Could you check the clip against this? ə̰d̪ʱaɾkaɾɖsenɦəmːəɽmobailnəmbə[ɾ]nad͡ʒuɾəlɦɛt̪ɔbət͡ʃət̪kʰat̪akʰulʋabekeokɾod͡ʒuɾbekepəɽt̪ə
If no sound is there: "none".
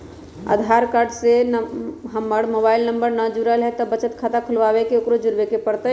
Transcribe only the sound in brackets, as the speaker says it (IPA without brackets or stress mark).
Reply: ɾ